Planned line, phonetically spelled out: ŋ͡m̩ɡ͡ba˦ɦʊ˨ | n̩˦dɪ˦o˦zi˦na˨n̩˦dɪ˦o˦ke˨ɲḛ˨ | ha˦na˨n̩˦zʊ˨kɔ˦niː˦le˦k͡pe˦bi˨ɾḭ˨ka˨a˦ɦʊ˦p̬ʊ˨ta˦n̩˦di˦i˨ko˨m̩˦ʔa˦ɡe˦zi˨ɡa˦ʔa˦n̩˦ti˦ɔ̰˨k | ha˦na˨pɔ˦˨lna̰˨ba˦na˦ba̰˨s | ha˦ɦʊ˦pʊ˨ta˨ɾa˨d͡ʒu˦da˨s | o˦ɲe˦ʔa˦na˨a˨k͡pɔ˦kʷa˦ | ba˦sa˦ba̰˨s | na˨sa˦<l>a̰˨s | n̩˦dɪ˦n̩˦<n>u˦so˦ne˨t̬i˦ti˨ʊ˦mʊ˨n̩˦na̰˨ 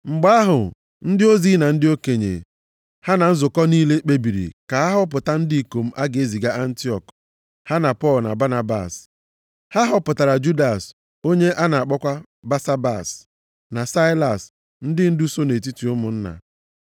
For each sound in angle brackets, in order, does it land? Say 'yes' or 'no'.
yes, no

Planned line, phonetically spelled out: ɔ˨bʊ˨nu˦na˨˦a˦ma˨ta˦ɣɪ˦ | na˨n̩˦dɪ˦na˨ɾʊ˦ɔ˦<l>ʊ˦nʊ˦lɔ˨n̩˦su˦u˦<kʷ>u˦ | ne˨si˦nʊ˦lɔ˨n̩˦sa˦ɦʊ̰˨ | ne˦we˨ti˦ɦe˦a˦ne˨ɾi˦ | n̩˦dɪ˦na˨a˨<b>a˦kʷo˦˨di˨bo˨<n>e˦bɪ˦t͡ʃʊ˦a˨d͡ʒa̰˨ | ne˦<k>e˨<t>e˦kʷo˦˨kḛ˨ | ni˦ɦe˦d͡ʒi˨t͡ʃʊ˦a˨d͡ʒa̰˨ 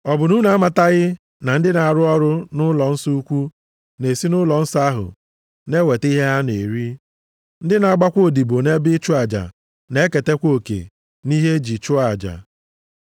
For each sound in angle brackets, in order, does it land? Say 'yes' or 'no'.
no, yes, no, yes, yes, yes

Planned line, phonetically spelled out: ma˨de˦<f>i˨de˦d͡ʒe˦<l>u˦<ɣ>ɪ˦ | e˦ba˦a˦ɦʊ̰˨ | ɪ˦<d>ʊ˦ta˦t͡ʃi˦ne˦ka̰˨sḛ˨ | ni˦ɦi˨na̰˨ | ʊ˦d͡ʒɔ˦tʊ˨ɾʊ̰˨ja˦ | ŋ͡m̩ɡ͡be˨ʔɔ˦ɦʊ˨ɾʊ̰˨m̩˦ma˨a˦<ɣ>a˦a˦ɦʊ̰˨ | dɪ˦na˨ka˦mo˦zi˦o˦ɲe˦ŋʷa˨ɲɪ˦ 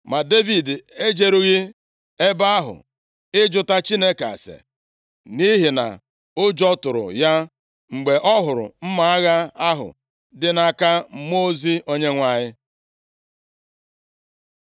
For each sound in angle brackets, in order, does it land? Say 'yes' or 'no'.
no, no, yes, no, yes

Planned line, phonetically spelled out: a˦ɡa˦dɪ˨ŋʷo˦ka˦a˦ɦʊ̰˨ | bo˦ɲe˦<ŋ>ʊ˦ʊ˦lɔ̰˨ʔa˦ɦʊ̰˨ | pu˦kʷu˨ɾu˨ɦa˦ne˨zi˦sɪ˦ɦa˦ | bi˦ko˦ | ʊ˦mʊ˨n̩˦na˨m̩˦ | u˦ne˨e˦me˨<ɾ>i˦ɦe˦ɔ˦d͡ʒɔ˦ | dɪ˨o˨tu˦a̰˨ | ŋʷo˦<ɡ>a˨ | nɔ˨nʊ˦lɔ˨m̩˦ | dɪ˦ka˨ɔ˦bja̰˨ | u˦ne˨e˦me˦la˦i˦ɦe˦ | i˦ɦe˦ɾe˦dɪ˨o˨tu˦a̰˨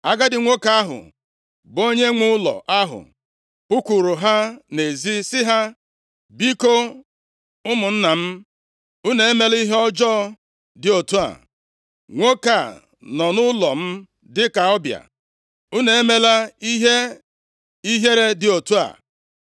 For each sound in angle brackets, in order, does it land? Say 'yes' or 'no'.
yes, no, no

